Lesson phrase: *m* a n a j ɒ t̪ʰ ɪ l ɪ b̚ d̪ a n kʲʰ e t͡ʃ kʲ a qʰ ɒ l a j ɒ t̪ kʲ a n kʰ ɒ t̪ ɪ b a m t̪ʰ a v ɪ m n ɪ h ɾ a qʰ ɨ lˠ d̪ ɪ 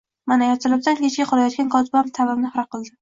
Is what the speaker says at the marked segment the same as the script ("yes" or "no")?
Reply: yes